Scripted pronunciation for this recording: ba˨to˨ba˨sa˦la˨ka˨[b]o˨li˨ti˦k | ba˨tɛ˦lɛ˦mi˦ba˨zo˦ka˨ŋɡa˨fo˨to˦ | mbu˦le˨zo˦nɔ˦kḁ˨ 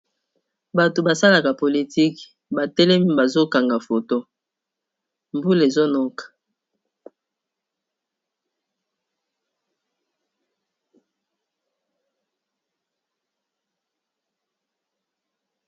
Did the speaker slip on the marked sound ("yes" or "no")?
yes